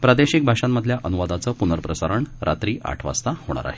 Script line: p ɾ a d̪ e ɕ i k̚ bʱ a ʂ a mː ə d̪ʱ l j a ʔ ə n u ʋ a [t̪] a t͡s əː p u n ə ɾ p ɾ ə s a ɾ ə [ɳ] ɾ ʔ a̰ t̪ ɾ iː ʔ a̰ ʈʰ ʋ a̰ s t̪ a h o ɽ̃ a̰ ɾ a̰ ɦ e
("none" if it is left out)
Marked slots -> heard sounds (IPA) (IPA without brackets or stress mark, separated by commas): d̪, ɳ